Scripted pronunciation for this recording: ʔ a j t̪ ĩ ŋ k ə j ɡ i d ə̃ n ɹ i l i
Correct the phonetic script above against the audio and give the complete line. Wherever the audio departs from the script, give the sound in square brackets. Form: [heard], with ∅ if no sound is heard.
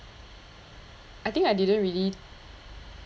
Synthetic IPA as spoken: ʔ a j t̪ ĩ ŋ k [a] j [d] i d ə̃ n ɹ i l i